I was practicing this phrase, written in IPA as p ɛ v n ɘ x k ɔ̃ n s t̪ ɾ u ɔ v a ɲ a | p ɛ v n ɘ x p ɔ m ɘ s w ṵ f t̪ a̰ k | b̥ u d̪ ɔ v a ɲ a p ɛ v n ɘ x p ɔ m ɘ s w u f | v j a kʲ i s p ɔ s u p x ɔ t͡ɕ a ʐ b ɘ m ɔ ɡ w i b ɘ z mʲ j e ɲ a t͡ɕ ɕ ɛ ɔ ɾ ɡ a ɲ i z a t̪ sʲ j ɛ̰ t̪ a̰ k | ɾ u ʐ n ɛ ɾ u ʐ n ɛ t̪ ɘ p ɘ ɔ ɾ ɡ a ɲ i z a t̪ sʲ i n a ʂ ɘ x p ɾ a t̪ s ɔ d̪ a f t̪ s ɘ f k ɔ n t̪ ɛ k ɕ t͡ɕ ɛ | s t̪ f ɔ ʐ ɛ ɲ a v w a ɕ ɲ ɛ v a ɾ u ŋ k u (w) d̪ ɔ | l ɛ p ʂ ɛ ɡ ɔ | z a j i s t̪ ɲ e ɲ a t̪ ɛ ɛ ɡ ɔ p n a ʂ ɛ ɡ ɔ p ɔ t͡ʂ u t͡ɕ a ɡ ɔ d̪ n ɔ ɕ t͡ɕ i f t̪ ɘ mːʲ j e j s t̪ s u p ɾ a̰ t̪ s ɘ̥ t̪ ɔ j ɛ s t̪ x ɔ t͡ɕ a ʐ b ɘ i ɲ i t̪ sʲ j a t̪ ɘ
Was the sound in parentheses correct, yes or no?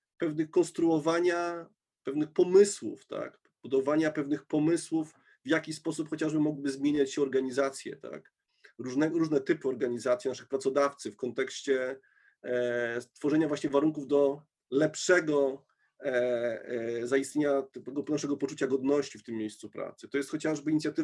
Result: no